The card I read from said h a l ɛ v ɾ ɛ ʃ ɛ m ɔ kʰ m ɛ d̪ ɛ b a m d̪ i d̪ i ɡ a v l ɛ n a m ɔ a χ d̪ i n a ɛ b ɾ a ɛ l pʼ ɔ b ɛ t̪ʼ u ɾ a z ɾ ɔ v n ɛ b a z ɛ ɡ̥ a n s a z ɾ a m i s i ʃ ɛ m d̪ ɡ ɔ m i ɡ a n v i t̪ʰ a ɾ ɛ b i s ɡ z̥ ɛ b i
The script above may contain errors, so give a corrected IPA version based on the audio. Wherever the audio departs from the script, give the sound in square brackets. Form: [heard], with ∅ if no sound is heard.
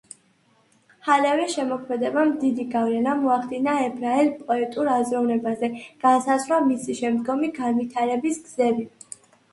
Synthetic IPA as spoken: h a l ɛ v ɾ ɛ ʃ ɛ m ɔ kʰ m ɛ d̪ ɛ b a m d̪ i d̪ i ɡ a v l ɛ n a m ɔ a χ d̪ i n a ɛ b ɾ a ɛ l pʼ ɔ [∅] ɛ t̪ʼ u ɾ a z ɾ ɔ v n ɛ b a z ɛ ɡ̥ a n s a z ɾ a m i s i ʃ ɛ m d̪ ɡ ɔ m i ɡ a n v i t̪ʰ a ɾ ɛ b i s ɡ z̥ ɛ b i

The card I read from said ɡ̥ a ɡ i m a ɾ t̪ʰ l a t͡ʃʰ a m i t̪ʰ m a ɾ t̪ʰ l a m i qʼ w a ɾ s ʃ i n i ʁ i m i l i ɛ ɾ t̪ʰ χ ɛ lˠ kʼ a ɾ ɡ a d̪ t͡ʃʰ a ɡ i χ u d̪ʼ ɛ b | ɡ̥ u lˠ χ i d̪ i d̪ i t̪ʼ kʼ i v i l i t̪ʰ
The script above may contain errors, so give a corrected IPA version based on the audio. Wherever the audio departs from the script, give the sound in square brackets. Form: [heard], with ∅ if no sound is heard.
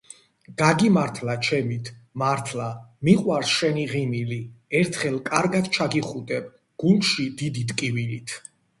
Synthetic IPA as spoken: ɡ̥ a ɡ i m a ɾ t̪ʰ l a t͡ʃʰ [ɛ] m i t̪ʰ m a ɾ t̪ʰ l a m i qʼ w a ɾ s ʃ [ɛ] n i ʁ i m i l i ɛ ɾ t̪ʰ χ ɛ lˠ kʼ a ɾ ɡ a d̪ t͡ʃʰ a ɡ i χ u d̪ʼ ɛ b | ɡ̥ u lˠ [ʃ] i d̪ i d̪ i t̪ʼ kʼ i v i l i t̪ʰ

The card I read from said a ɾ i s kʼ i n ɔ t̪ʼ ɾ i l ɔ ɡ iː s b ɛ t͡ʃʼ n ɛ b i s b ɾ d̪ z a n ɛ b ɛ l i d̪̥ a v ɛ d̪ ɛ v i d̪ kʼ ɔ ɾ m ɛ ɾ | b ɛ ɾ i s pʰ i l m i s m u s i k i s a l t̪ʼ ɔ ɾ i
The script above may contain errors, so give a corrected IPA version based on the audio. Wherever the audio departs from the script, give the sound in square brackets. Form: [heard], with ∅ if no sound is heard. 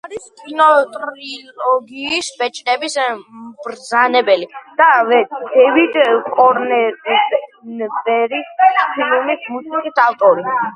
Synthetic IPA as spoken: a ɾ i s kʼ i n ɔ t̪ʼ ɾ i l ɔ ɡ iː s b ɛ t͡ʃʼ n ɛ b i s b ɾ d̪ z a n ɛ b ɛ l i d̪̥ a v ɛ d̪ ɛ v i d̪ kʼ ɔ ɾ [n] ɛ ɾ | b ɛ ɾ i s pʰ i l m i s m u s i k i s a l t̪ʼ ɔ ɾ i

